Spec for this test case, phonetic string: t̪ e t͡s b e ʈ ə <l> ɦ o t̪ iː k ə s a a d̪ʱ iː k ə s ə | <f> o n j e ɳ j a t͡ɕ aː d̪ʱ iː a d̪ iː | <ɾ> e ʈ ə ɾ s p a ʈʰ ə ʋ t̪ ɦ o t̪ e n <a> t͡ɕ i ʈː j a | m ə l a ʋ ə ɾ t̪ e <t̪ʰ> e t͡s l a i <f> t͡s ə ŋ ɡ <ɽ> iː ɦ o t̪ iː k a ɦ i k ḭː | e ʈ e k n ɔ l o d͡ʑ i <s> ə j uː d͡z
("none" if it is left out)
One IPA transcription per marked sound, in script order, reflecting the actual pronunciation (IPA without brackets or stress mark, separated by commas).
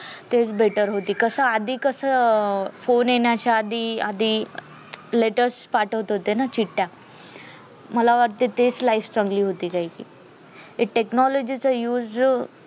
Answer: ɾ, f, l, a, t̪, f, l, t͡s